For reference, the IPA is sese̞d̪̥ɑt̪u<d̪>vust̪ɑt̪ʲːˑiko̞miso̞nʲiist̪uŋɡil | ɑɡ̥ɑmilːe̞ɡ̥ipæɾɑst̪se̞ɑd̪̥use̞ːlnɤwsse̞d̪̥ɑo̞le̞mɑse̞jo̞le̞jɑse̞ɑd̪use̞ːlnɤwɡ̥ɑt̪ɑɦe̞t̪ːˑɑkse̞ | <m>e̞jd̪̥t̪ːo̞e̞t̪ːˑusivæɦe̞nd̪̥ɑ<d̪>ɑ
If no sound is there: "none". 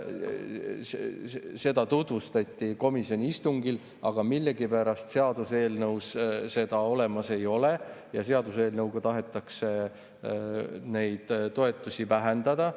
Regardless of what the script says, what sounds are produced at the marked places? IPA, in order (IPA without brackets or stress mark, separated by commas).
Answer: t̪, n, d̪